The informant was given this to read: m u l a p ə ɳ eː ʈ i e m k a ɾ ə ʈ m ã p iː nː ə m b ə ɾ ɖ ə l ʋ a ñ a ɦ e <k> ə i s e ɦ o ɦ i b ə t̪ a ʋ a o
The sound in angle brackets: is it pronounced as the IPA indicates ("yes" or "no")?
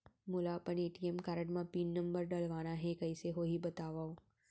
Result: yes